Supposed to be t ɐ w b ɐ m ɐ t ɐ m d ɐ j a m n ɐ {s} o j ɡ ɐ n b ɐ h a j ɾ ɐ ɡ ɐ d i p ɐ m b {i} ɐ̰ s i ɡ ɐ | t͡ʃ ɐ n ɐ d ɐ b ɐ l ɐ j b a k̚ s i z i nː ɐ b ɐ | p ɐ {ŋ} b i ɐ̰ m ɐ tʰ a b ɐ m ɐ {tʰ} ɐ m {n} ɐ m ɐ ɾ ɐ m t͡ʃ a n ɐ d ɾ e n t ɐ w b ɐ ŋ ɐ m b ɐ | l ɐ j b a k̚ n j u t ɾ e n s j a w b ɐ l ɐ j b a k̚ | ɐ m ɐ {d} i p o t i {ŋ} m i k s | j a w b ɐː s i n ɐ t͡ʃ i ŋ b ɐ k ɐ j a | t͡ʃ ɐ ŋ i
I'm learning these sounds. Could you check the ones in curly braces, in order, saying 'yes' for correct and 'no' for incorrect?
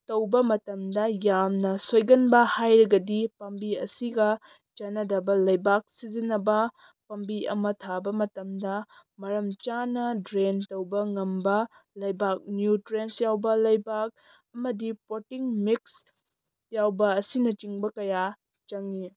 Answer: yes, yes, no, no, no, yes, yes

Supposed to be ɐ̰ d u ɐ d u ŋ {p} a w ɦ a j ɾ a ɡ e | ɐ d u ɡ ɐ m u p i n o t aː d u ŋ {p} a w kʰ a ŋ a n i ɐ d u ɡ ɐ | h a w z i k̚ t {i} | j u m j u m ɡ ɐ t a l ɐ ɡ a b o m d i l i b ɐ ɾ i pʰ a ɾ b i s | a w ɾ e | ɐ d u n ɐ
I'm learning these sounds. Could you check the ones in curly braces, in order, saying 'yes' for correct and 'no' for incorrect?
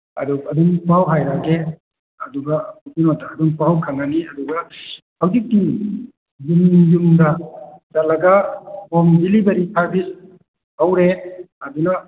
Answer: yes, yes, yes

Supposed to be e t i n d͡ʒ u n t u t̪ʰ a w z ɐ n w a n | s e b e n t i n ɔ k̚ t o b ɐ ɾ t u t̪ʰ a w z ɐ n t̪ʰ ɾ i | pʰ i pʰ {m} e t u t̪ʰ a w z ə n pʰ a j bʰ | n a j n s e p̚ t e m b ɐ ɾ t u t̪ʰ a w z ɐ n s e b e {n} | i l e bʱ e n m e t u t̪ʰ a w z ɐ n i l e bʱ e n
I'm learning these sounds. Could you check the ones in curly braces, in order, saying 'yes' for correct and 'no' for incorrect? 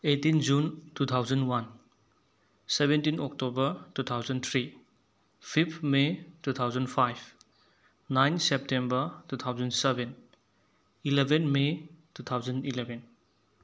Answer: yes, yes

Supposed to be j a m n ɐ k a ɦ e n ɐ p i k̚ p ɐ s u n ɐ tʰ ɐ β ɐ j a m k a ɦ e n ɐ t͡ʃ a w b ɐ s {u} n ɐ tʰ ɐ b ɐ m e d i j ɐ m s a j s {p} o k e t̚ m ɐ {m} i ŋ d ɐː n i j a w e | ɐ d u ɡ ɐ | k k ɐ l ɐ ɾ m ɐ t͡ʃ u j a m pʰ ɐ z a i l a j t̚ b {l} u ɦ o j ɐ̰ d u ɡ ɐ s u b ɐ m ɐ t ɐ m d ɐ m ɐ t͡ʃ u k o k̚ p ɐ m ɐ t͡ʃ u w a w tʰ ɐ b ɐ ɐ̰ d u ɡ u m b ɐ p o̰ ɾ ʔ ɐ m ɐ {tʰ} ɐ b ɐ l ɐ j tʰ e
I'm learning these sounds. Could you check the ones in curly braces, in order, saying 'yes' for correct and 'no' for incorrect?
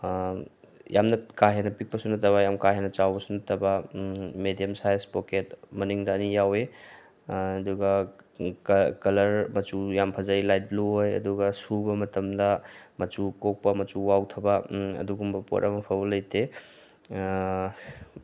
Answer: yes, yes, no, yes, no

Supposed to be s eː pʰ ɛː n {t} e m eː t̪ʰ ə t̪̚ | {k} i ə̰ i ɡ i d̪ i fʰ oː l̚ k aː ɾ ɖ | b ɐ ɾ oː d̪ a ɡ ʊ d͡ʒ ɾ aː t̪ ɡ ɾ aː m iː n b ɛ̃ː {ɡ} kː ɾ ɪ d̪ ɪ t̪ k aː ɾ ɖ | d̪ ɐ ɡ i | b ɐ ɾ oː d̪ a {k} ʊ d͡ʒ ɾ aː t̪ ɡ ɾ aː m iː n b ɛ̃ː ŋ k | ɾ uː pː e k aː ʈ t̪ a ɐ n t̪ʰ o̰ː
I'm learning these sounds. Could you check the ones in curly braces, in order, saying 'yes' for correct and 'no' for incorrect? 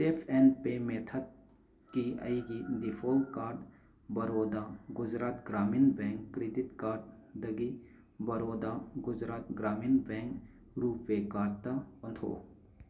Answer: no, yes, no, no

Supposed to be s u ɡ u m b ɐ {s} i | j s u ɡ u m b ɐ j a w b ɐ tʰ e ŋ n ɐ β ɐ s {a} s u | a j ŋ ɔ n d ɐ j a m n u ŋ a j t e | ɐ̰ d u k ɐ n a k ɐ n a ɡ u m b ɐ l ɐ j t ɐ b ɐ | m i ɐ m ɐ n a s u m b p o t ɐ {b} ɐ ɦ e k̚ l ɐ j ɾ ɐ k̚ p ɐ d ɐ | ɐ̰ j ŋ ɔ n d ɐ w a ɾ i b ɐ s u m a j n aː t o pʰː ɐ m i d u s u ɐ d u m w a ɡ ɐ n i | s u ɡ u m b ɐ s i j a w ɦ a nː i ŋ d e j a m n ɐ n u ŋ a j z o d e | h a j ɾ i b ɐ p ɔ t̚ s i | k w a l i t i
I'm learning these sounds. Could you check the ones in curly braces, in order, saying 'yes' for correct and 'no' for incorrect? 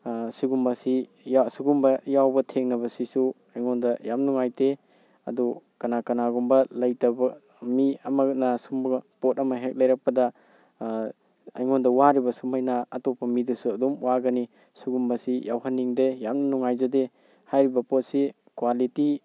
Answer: yes, no, no

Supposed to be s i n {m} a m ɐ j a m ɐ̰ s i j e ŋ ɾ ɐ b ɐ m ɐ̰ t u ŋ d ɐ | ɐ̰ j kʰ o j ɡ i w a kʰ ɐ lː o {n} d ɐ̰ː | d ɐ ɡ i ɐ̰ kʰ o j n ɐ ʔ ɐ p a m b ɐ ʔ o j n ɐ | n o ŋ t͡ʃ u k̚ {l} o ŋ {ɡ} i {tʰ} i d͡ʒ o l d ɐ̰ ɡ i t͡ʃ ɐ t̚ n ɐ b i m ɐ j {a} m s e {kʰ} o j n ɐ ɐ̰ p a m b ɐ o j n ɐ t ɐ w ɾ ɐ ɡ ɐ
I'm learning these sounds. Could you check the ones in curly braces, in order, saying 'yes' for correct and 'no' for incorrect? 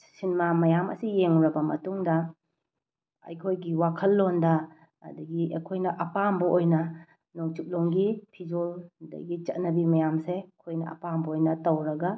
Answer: yes, yes, yes, yes, no, yes, yes

